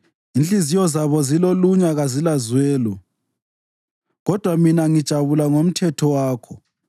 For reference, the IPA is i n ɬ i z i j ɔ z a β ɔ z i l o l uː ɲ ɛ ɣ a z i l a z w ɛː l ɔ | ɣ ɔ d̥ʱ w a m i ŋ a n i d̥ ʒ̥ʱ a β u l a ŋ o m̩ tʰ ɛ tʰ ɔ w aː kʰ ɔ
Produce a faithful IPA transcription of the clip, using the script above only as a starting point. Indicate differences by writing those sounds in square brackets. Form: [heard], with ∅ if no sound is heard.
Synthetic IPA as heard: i n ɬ i z i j ɔ z a β ɔ z i l o l [u] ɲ [a] ɣ a z i l a z w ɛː l ɔ | ɣ ɔ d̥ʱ w a m i [n] a [ŋ] i d̥ ʒ̥ʱ a β u l a ŋ o m̩ tʰ ɛ tʰ ɔ w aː kʰ ɔ